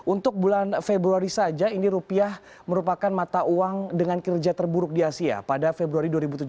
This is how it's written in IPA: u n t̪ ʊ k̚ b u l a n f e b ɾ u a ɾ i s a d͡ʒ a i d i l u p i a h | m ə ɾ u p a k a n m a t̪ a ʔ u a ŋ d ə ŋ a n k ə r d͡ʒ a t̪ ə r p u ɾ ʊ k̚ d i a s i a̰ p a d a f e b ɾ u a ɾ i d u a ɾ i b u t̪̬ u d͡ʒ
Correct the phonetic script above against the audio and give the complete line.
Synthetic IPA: u n t̪ ʊ k̚ b u l a n f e b ɾ u a ɾ i s a d͡ʒ a i n i ɾ u p i a h | m ə ɾ u p a k a n m a t̪ a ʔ u a ŋ d ə ŋ a n k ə r d͡ʒ a t̪ ə r b u ɾ ʊ k̚ d i a s i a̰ p a d a f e b ɾ u a ɾ i d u a ɾ i b u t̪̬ u d͡ʒ